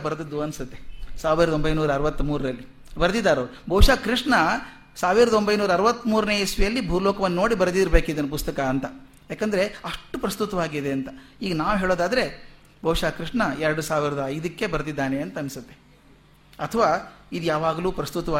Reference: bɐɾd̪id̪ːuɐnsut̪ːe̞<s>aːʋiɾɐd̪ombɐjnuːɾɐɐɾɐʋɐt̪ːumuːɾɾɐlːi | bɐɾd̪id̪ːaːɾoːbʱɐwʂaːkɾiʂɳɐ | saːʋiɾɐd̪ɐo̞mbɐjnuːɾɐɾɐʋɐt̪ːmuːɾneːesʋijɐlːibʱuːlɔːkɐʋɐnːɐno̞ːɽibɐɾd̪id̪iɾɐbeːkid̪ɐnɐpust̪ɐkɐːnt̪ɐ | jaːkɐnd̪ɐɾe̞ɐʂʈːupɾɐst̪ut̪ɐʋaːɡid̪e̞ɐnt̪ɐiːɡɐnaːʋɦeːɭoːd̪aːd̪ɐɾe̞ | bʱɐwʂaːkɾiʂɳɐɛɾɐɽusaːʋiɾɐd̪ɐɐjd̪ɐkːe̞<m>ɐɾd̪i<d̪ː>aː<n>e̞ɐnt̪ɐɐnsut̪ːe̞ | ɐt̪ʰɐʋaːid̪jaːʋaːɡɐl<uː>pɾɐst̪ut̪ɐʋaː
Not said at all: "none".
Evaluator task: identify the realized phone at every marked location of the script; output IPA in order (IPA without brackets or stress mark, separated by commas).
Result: s, b, d̪ː, n, uː